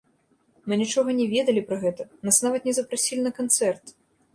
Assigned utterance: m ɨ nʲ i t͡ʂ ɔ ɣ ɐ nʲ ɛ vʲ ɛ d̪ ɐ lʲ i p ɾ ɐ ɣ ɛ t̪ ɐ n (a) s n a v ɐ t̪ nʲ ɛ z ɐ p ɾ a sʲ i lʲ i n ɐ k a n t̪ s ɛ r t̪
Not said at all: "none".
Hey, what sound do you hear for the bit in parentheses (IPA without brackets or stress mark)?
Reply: a